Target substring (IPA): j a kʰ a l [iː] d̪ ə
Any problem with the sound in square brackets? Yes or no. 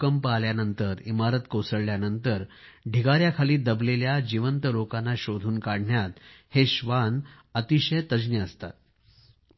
no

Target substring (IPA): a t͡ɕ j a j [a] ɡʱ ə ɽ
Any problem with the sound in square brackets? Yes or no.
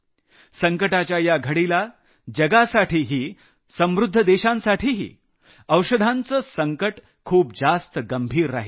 no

